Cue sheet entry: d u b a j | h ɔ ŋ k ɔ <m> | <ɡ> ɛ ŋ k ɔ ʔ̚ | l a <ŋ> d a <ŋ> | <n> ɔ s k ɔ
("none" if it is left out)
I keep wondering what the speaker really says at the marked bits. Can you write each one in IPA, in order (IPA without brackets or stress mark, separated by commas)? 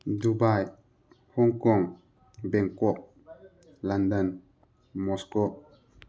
ŋ, b, n, n, m